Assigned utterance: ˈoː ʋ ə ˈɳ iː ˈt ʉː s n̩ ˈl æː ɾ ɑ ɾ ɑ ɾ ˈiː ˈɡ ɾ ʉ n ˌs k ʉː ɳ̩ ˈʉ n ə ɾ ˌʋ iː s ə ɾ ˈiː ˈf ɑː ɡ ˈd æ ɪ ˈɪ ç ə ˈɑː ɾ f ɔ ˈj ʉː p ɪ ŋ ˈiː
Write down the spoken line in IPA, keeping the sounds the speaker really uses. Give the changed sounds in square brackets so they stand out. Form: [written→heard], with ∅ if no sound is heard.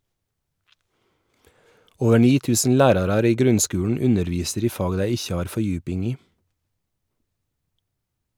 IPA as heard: ˈoː ʋ ə ˈɳ iː ˈt ʉː s n̩ ˈl æː ɾ ɑ ɾ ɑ ɾ ˈiː ˈɡ ɾ ʉ n ˌs k ʉː ɳ̩ ˈʉ n ə ɾ ˌʋ iː s ə ɾ ˈiː ˈf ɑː ɡ ˈd æ ɪ ˈɪ ç ə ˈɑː ɾ f ɔ ˈj ʉː p ɪ ŋ ˈiː